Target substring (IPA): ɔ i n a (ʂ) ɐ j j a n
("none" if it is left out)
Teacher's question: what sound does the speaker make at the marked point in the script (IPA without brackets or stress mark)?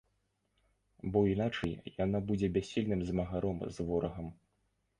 t͡ʂ